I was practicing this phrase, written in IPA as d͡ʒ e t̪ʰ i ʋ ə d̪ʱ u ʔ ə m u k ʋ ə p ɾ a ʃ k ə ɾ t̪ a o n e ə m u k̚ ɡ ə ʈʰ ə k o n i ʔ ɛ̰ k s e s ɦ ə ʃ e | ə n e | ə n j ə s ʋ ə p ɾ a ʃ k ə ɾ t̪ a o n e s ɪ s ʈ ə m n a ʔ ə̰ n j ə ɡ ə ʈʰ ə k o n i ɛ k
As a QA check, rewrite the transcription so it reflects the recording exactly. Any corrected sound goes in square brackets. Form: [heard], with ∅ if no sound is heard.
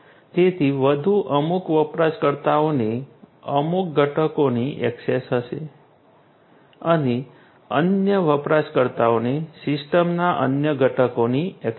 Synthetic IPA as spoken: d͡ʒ e t̪ʰ i ʋ ə d̪ʱ u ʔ ə m u k ʋ ə p ɾ a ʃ k ə ɾ t̪ a o n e ə m u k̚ ɡ ə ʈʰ ə k o n i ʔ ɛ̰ k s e s ɦ ə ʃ e | ə n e | ə n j ə [∅] ʋ ə p ɾ a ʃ k ə ɾ t̪ a o n e s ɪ s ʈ ə m n a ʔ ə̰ n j ə ɡ ə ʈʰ ə k o n i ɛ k